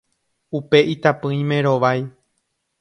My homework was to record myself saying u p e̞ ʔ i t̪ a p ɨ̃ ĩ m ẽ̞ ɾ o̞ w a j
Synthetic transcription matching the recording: u p e̞ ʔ i t̪ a p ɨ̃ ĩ m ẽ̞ ɾ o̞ ʋ a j